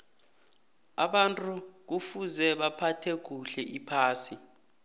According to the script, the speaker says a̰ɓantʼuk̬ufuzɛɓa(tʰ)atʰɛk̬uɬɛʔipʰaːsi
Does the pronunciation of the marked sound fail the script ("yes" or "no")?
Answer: yes